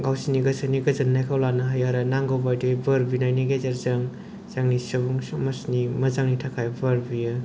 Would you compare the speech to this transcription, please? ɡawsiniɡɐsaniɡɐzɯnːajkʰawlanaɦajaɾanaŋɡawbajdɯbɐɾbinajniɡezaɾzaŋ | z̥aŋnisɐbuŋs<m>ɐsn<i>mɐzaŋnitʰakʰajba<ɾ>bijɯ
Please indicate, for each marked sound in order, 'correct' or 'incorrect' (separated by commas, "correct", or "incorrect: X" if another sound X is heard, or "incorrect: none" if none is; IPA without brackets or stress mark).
correct, correct, correct